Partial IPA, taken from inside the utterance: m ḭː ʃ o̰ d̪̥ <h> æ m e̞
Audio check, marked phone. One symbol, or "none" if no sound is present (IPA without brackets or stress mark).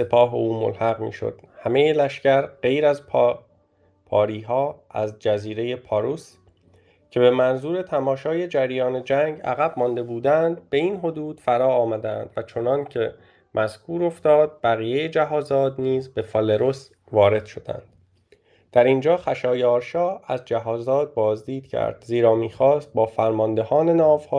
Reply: h